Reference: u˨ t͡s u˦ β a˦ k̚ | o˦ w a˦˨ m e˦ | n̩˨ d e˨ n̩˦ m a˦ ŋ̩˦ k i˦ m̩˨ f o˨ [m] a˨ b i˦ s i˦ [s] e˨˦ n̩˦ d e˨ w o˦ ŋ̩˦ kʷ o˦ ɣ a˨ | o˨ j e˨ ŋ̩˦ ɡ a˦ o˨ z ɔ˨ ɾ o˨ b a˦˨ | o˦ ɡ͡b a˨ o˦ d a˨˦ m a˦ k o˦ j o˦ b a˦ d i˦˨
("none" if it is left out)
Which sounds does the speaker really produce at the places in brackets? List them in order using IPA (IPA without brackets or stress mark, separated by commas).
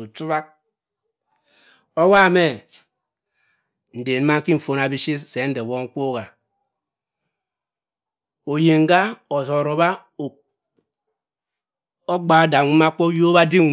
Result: n, s